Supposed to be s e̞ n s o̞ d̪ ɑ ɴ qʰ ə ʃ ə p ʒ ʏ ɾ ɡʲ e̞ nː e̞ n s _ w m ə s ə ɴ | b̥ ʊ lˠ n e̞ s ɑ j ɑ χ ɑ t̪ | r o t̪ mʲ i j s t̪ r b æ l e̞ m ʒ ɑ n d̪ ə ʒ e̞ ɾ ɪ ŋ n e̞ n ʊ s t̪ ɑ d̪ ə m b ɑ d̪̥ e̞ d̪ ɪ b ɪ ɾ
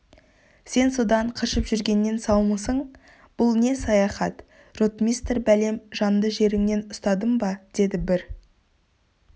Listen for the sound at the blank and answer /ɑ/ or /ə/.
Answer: ɑ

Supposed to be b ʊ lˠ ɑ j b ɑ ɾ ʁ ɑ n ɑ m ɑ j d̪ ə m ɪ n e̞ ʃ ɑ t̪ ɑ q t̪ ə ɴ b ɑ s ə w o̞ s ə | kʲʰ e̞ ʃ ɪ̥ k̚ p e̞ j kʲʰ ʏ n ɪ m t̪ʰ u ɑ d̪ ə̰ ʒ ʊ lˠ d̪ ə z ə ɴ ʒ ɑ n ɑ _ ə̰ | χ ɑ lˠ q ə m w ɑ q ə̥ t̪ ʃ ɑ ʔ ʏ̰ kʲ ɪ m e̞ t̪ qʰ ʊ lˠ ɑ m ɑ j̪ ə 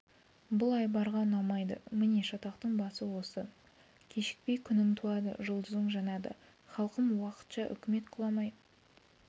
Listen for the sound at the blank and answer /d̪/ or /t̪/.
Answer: d̪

